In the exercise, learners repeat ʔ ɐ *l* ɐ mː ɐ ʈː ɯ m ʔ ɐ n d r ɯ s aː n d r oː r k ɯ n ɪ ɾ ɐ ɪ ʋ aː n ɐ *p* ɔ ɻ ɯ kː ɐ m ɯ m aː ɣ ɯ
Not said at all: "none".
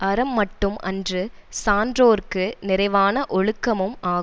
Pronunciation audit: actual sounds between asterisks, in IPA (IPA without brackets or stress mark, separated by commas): ɾ, ʔ